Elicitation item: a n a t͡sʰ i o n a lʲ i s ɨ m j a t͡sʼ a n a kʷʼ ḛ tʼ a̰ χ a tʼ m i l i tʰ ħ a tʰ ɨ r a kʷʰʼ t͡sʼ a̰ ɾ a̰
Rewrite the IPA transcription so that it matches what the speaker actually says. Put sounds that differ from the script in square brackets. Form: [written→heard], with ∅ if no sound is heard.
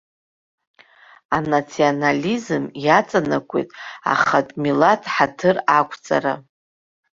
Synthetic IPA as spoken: a n a t͡sʰ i o n a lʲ i [s→z] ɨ m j a t͡sʼ a n a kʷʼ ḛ tʼ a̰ χ a tʼ m i l [i→a] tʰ ħ a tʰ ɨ r a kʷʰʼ t͡sʼ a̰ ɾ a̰

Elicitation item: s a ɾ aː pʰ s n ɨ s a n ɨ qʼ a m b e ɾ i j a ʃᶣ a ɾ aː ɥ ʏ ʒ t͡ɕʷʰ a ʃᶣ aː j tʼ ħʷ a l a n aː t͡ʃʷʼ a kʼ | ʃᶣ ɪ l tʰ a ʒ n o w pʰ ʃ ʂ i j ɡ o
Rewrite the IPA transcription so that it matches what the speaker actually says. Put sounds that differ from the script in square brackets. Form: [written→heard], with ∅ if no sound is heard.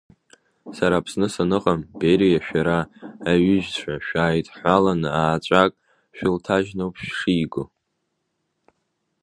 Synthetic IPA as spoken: s a ɾ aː pʰ s n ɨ s a n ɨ qʼ a m b e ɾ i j a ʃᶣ a ɾ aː ɥ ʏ ʒ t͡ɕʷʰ a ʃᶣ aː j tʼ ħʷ a l a n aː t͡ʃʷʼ a kʼ | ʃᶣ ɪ l tʰ a ʒ n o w pʰ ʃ ʂ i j ɡ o

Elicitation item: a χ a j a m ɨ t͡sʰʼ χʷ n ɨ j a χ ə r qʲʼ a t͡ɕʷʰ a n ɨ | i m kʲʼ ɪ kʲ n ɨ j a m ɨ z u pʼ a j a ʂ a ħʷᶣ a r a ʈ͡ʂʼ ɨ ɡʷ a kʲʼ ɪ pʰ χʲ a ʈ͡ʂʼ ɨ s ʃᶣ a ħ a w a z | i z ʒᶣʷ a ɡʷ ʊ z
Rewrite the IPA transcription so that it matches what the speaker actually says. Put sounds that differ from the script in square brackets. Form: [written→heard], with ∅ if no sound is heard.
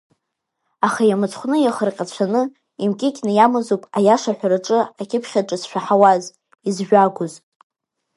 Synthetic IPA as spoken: a χ a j a m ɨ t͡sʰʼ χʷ n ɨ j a χ ə r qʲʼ a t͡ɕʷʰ a n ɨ | i m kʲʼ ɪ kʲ n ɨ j a m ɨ z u pʼ a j a ʂ a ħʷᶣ a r a ʈ͡ʂʼ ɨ [ɡʷ→∅] a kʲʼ ɪ pʰ χʲ a ʈ͡ʂʼ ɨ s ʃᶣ a ħ a w a z | i z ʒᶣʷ a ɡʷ ʊ z

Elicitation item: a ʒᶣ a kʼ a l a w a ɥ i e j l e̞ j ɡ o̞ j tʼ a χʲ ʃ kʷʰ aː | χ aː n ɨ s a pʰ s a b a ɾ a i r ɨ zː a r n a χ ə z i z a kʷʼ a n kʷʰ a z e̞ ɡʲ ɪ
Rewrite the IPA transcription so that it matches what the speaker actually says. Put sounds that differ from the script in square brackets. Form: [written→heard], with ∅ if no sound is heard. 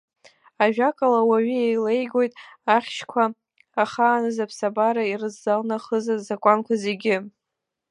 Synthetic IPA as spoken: a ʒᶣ a kʼ a l a w a ɥ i e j l e̞ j ɡ o̞ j tʼ a χʲ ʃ kʷʰ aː | χ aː n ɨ [s→z] a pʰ s a b a ɾ a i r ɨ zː a [r→l] n a χ ə z [i→a] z a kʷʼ a n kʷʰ a z e̞ ɡʲ ɪ

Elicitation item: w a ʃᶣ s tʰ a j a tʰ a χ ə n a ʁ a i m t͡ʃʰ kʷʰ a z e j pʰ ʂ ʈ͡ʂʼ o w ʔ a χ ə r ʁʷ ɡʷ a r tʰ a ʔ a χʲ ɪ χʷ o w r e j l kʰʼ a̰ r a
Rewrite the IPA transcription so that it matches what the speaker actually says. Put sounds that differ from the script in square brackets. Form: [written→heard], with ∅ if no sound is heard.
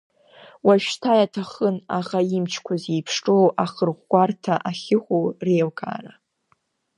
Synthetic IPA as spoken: w a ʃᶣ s tʰ a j a tʰ a χ ə n a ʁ a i m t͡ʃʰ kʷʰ a z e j pʰ ʂ ʈ͡ʂʼ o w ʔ a χ ə r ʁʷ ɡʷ a r tʰ a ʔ a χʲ ɪ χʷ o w r e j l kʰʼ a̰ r a

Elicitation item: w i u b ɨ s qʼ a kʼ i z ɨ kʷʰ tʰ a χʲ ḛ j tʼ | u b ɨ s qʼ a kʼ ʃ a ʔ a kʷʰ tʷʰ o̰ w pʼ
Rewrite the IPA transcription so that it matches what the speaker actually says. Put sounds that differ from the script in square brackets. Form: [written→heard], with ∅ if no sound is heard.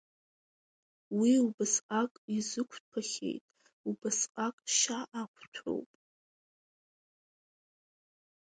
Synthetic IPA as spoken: w i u b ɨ s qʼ a kʼ i z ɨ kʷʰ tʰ a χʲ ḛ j tʼ | u b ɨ s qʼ a kʼ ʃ a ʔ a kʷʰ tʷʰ o̰ w pʼ

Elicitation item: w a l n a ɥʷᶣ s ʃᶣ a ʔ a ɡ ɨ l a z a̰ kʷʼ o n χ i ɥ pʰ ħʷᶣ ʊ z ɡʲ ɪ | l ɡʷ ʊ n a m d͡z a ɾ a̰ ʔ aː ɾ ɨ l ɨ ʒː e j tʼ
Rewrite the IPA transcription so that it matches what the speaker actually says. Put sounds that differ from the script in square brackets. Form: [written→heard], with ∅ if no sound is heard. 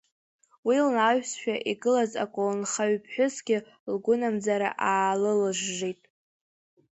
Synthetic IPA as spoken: w [a→i] l n a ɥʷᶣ s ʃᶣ a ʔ [a→i] ɡ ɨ l a z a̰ kʷʼ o n χ [i→a] ɥ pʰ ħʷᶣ ʊ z ɡʲ ɪ | l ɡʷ ʊ n a m d͡z a ɾ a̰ ʔ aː [ɾ→l] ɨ l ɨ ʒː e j tʼ

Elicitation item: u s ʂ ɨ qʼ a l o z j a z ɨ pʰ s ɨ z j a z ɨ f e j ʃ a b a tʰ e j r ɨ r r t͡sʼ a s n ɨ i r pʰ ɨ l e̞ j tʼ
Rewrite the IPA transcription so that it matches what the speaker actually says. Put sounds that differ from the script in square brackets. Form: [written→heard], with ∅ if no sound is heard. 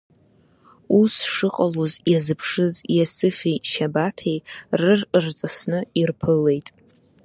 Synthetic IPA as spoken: u s ʂ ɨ qʼ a l o z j a z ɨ pʰ [s→ʂ] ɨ z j a [z→s] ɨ f e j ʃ a b a tʰ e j r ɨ r r t͡sʼ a s n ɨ i r pʰ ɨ l e̞ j tʼ

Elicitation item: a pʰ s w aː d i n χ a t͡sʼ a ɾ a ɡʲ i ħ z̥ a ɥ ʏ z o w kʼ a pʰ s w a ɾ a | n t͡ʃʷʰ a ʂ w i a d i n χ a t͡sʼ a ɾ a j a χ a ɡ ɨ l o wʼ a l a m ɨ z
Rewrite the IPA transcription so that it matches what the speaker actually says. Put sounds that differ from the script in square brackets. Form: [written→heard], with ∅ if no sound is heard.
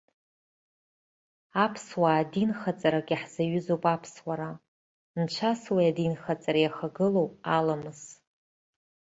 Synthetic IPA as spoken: a pʰ s w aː d i n χ a t͡sʼ a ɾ a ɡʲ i ħ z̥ a ɥ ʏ z o w [kʼ→pʼ] a pʰ s w a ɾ a | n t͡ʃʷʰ a [ʂ→s] w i a d i n χ a t͡sʼ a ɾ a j a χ a ɡ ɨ l o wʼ a l a m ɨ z

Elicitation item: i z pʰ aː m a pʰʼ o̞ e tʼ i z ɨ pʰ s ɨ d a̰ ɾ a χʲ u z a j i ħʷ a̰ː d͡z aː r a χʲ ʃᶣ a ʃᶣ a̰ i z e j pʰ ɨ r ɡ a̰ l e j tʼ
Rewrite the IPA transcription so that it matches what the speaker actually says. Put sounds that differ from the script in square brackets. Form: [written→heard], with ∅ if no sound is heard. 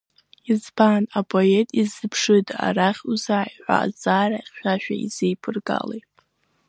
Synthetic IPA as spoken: i z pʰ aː [m→n] a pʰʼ o̞ e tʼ i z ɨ pʰ [s→ʂ] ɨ d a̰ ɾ a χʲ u z a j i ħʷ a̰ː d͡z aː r a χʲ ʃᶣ a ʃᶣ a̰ i z e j pʰ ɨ r ɡ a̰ l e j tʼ

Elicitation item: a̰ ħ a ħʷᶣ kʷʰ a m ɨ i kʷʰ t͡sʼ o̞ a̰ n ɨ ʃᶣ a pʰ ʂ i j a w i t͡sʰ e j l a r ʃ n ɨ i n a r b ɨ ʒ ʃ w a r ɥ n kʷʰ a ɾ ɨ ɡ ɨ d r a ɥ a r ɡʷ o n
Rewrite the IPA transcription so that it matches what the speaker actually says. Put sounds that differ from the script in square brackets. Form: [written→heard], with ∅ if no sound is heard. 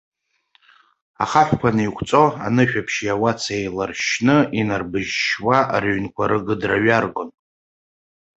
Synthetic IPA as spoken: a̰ [ħ→χ] a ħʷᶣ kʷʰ a [m→n] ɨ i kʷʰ t͡sʼ o̞ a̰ n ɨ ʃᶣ a pʰ [ʂ→ʃ] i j a w [i→a] t͡sʰ e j l a r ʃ n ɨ i n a r b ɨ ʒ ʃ w a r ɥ n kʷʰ a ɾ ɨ ɡ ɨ d r a ɥ a r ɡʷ o n

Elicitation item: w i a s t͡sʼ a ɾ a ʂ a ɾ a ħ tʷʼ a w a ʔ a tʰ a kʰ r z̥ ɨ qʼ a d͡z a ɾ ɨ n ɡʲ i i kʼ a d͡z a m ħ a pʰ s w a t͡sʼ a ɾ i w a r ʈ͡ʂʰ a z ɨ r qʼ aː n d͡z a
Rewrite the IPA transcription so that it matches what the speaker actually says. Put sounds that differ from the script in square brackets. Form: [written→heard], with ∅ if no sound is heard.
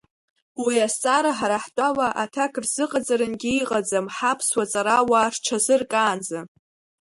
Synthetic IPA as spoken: w i a s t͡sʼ a ɾ a [ʂ→ħ] a ɾ a ħ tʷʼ a w a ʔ a tʰ a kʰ r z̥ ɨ qʼ a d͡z a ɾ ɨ n ɡʲ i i [kʼ→qʼ] a d͡z a m ħ a pʰ s w a t͡sʼ a ɾ [i→a] w a r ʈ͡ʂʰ a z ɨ r [qʼ→kʼ] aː n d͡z a

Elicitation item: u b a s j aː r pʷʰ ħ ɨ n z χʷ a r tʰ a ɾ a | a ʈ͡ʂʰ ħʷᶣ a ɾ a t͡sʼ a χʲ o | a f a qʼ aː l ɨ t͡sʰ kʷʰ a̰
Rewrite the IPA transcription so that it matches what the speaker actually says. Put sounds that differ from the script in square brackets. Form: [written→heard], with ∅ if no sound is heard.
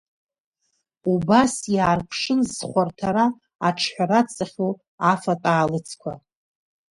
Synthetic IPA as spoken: u b a s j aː r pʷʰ [ħ→ʂ] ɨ n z χʷ a r tʰ a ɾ a | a ʈ͡ʂʰ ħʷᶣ a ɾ a t͡sʼ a χʲ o | a f a [qʼ→tʼ] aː l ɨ t͡sʰ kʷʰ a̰

